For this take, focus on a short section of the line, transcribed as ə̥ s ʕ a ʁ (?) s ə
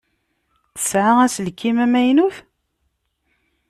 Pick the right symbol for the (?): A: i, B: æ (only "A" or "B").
B